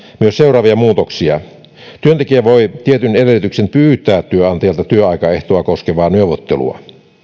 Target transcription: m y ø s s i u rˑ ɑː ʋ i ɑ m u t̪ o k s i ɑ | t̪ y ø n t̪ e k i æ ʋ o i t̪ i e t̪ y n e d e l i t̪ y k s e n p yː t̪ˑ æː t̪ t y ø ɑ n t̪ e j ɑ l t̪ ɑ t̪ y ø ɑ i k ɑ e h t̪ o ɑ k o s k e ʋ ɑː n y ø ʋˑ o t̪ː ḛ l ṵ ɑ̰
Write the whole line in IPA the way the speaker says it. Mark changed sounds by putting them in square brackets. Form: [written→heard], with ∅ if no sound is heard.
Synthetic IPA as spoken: m y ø s s [i→e] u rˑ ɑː ʋ i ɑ m [u→uː] t̪ o k s i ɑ | t̪ y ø n t̪ e k i æ ʋ o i t̪ i e t̪ y n e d e l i t̪ y k s e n p yː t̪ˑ æː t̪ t y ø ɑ n t̪ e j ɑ l t̪ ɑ t̪ y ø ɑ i k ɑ e h t̪ o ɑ k o s k e ʋ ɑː n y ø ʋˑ o t̪ː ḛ l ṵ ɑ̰